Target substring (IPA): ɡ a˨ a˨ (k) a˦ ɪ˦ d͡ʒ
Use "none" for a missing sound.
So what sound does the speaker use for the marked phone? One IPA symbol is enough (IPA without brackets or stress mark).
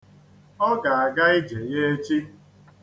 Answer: ɡ